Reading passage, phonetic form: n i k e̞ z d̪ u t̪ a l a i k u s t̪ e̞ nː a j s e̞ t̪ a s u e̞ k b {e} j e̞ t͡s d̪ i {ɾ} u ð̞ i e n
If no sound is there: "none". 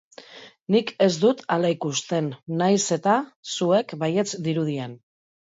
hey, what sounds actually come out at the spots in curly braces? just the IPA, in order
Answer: a, ɾ

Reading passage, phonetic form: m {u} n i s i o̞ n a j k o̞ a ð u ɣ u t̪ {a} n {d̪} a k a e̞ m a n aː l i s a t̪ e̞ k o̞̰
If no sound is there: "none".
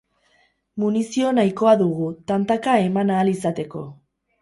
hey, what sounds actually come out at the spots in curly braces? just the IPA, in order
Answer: u, a, t̪

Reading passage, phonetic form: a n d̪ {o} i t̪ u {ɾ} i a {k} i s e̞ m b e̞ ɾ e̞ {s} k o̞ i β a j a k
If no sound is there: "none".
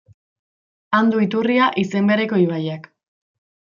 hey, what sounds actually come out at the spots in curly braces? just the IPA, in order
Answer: u, r, ʔ, none

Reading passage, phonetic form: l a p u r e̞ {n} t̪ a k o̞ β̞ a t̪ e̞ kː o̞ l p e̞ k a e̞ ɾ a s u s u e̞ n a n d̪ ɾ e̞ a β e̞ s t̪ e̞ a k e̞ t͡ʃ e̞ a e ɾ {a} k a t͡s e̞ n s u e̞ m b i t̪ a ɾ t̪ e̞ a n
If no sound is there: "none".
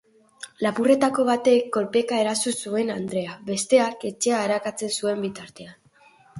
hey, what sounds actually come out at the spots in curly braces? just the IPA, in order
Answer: none, a

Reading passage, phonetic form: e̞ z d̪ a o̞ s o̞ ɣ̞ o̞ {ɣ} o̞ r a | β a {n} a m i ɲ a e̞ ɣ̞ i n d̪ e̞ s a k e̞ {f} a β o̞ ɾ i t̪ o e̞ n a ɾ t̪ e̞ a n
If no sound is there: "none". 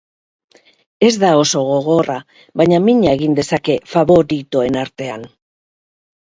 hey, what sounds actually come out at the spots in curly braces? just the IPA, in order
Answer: ɣ, ɲ, f

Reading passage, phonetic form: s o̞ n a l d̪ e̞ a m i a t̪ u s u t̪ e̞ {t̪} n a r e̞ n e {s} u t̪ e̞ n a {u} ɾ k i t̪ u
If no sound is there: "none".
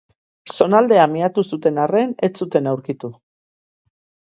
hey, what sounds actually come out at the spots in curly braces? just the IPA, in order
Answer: none, t͡s, w

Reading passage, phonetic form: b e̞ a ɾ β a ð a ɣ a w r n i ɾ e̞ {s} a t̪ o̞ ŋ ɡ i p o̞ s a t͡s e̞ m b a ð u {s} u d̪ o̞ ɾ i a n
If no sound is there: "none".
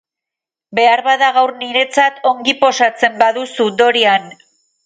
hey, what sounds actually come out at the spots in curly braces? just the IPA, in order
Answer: t͡s, s

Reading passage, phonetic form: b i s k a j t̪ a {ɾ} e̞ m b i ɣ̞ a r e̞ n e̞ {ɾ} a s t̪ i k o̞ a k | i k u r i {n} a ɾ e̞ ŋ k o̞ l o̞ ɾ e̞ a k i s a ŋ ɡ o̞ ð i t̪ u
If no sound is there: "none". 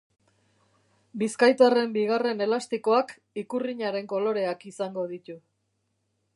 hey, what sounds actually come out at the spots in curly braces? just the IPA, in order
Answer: r, l, ɲ

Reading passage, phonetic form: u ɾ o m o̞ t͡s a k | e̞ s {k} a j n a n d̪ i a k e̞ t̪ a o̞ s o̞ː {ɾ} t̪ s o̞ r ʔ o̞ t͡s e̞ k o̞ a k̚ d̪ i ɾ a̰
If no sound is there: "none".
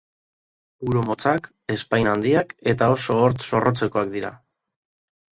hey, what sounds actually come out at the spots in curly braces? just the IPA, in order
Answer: p, ɾ

